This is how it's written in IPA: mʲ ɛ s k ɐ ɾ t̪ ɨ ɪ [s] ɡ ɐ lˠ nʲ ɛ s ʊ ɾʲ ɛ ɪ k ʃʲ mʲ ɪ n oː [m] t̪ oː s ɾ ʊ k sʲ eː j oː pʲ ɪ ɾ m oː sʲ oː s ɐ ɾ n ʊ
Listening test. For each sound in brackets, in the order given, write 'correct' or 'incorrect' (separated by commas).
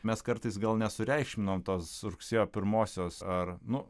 correct, correct